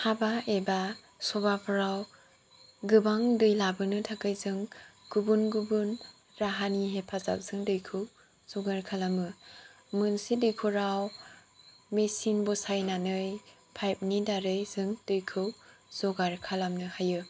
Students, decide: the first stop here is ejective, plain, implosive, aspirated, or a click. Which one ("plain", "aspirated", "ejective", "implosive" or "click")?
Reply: plain